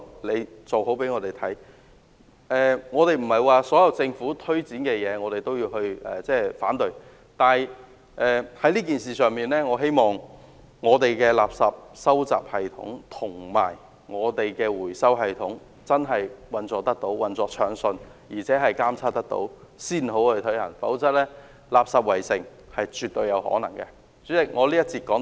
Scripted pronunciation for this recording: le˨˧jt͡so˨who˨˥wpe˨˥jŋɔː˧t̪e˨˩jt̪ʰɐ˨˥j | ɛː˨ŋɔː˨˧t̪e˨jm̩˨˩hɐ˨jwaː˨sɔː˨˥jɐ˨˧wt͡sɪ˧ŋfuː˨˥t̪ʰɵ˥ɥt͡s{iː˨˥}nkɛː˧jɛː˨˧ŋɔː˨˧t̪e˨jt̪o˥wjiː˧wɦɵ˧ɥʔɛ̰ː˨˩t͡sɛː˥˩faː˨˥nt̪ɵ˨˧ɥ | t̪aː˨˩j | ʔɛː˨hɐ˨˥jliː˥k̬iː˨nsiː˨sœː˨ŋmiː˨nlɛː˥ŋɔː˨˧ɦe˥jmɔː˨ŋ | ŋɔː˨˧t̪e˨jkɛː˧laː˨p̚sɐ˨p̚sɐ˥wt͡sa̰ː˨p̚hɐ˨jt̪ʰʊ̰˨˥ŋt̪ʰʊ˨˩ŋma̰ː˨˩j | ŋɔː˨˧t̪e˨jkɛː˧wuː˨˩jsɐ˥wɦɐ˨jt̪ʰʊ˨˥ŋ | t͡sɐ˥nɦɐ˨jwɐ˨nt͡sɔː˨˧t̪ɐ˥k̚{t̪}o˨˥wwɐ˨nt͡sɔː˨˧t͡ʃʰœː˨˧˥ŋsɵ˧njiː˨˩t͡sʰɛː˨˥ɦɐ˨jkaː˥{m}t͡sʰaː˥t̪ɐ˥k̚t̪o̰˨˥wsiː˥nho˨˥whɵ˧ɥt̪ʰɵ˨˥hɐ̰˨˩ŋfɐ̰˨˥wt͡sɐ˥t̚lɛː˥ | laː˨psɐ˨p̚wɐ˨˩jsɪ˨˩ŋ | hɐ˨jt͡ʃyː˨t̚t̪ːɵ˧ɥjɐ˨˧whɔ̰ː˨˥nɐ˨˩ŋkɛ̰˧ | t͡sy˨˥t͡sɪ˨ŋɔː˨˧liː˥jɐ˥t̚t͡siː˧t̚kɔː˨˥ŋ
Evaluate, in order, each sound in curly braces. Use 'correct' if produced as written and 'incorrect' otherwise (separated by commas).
correct, correct, correct